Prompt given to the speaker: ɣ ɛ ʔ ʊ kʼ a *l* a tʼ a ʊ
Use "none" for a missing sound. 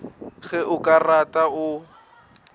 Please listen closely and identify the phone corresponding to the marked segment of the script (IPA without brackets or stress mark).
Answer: r